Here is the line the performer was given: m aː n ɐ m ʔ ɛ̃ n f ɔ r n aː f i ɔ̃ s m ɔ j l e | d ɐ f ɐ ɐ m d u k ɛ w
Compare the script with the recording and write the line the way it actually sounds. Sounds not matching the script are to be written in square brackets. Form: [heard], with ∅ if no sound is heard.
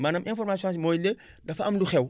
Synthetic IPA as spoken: m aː n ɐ m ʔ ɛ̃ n f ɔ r [m] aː [s] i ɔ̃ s m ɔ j l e | d ɐ f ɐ ɐ m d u [x] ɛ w